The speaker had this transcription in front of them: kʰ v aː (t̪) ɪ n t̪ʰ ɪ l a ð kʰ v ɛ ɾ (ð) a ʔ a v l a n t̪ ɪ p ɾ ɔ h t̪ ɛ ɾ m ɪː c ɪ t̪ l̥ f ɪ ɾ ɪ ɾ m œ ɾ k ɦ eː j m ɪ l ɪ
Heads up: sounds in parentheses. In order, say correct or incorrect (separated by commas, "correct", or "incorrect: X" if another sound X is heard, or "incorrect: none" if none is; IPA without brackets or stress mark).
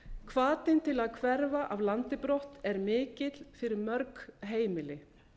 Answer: correct, incorrect: v